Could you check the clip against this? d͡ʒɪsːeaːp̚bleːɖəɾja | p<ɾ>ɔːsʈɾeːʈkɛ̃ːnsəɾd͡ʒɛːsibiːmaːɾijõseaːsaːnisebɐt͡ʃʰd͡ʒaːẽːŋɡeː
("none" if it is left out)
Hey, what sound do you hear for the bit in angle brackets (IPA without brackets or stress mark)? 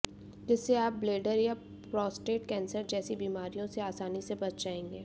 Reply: ɾ